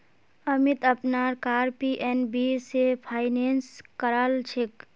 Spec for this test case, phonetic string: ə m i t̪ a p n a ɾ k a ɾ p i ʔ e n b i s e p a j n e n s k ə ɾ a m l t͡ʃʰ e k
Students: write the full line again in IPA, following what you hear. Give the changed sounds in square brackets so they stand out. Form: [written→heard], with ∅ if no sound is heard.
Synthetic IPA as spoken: ə m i t̪ [a→ə] p n a ɾ k a ɾ p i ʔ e n b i s e [p→pʰ] a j n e n s k ə ɾ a [m→∅] l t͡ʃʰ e k